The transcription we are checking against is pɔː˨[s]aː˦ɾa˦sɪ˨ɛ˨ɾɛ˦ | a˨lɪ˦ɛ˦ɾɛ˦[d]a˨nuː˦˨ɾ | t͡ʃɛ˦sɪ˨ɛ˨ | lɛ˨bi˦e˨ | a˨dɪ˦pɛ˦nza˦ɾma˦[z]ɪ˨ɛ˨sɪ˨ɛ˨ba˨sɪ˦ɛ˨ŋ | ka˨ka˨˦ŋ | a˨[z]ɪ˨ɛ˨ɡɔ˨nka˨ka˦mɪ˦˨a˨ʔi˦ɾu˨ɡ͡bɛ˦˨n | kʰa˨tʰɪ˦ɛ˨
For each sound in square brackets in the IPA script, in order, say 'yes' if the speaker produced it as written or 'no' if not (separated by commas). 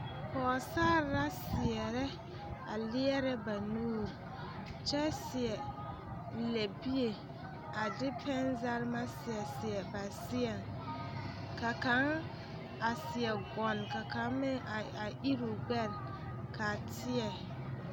yes, no, no, no